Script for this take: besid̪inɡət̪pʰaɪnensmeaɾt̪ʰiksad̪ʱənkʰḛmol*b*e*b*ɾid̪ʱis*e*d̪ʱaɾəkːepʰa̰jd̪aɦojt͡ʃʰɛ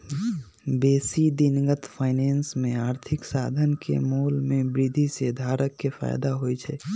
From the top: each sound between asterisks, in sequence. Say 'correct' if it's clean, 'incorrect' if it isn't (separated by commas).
incorrect, correct, correct